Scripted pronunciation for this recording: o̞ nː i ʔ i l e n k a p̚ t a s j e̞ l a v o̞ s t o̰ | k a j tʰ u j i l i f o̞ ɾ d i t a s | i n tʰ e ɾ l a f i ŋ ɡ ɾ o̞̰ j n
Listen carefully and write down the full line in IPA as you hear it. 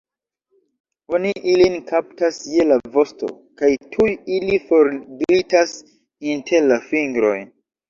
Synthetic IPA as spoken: o̞ n i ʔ i l i n k a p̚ t a s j e̞ l a v o̞ s t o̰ | k a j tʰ u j i l i f o̞ ɾ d i t a s | i n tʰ e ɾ l a f i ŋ ɡ ɾ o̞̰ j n

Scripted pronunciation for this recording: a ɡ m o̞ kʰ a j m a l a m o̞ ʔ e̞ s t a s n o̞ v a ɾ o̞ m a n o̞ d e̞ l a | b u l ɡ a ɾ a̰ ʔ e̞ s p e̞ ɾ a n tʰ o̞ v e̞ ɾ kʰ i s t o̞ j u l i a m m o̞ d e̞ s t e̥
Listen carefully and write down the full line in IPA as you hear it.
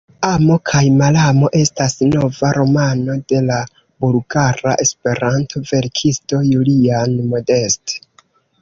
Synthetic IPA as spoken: a m o̞ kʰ a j m a l a m o̞ ʔ e̞ s t a s n o̞ v a ɾ o̞ m a n o̞ d e̞ l a | b u l ɡ a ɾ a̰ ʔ e̞ s p e̞ ɾ a n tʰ o̞ v e̞ ɾ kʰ i s t o̞ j u l i a n m o̞ d e̞ s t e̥

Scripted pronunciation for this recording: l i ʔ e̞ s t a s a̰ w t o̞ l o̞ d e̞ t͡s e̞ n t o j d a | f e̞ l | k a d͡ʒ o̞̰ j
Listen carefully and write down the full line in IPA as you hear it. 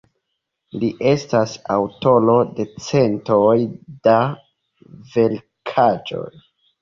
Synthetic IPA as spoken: l i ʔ e̞ s t a s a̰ w t o̞ l o̞ d e̞ t͡s e̞ n t o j d a | v e̞ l | kʰ a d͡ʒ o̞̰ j

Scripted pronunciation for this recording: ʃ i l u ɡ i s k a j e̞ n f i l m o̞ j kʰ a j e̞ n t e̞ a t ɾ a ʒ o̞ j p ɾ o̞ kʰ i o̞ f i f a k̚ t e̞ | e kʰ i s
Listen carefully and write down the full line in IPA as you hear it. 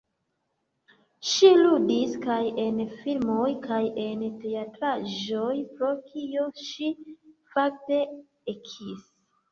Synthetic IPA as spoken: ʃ i l u d i s k a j e̞ n f i l m o̞ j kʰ a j e̞ n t e̞ a t ɾ a ʒ o̞ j p ɾ o̞ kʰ i o̞ ʃ i f a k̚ t e̞ | e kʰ i s

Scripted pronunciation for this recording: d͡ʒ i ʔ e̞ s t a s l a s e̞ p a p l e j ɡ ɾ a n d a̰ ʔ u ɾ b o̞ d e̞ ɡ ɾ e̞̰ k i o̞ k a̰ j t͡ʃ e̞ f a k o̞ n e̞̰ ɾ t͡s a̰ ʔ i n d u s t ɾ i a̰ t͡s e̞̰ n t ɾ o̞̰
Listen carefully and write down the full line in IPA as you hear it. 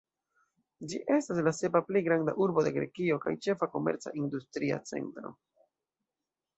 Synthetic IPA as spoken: d͡ʒ i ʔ e̞ s t a s l a s e̞ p a p l e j ɡ ɾ a n d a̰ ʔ u ɾ b o̞ d e̞ ɡ ɾ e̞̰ k i o̞ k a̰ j t͡ʃ e̞ f a k o̞ m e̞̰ ɾ t͡s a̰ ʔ i n d u s t ɾ i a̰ t͡s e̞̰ n t ɾ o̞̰

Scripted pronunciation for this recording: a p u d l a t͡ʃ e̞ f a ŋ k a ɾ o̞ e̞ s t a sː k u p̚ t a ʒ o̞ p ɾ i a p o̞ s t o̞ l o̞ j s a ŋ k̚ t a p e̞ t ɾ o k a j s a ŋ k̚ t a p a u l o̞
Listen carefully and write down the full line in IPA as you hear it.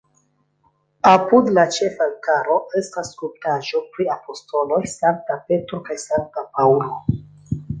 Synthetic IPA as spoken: a p u d l a t͡ʃ e̞ f a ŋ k a ɾ o̞ e̞ s t a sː k u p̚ t a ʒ o̞ p ɾ i a p o̞ s t o̞ l o̞ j s a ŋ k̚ t a p e̞ t ɾ o k a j s a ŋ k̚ t a p a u l o̞

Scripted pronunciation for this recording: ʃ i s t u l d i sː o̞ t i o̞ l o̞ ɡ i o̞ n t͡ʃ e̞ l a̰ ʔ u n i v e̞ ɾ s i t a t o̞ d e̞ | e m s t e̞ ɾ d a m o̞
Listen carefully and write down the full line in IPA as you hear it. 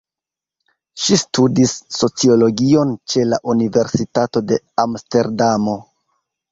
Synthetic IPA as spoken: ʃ i s t u d i sː o̞ t͡s i o̞ l o̞ ɡ i o̞ n t͡ʃ e̞ l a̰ ʔ u n i v e̞ ɾ s i t a t o̞ d e̞ | a m s t e̞ ɾ d a m o̞

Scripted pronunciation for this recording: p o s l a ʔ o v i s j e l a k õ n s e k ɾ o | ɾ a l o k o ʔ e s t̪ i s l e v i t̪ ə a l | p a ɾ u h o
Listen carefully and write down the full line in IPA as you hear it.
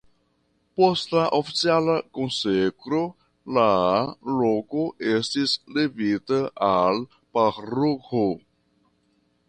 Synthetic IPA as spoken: p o s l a ʔ o f i s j a l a k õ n s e k ɾ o | l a l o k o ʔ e s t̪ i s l e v i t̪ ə a l | p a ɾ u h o

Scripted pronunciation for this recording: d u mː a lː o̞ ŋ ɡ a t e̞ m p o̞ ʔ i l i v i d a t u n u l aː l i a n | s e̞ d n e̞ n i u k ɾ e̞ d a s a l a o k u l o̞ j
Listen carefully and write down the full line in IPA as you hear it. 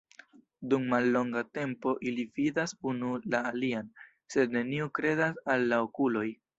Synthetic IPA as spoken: d u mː a lː o̞ ŋ ɡ a t e̞ m p o̞ ʔ i l i v i d a s u n u l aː l i a n | s e̞ d n e̞ n i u k ɾ e̞ d a s a lː a o k u l o̞ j

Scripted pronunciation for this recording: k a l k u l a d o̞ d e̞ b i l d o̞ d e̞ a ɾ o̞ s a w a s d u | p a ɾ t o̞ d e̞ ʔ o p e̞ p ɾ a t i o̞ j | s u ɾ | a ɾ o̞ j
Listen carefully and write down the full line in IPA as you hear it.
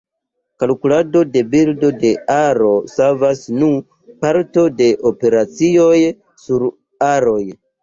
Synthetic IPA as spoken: k a l k u l a d o̞ d e̞ b i l d o̞ d e̞ a ɾ o̞ s a v a s n u | p a ɾ t o̞ d e̞ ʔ o p e̞ ɾ a t͡s i o̞ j | s u ɾ | a ɾ o̞ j

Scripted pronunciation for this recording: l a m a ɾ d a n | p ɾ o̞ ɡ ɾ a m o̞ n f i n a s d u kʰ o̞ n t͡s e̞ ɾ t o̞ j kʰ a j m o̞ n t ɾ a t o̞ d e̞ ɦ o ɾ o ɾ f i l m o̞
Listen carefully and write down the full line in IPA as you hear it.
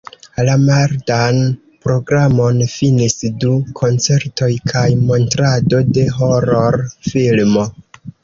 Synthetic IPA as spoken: l a m a ɾ d a n | p ɾ o̞ ɡ ɾ a m o̞ n f i n i s d u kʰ o̞ n t͡s e̞ ɾ t o̞ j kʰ a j m o̞ n t ɾ a d o̞ d e̞ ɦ o ɾ o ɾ f i l m o̞

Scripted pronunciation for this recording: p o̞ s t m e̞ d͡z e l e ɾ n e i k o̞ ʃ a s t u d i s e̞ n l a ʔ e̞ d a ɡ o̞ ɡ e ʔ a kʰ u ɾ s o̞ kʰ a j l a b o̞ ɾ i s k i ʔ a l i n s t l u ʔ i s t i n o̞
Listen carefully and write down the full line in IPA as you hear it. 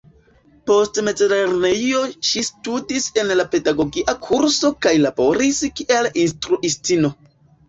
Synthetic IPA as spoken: p o̞ s t m e̞ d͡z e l e ɾ n e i o̞ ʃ i s t u d i s e̞ n l a p e̞ d a ɡ o̞ ɡ i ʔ a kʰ u ɾ s o̞ k a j l a b o̞ ɾ i s k i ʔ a l i n s t ɾ u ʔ i s t i n o̞

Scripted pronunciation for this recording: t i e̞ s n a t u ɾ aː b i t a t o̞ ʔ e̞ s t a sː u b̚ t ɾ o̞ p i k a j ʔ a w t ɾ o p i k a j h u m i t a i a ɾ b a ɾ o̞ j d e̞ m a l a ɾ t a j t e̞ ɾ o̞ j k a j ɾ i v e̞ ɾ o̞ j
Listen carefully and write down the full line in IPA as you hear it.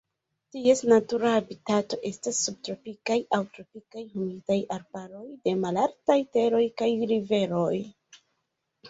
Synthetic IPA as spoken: t i e̞ s n a t u ɾ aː b i t a t o̞ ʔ e̞ s t a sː u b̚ t ɾ o̞ p i k a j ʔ a w t ɾ o p i k a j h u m i t a j a ɾ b a ɾ o̞ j d e̞ m a l a ɾ t a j t e̞ ɾ o̞ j k a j ɾ i v e̞ ɾ o̞ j

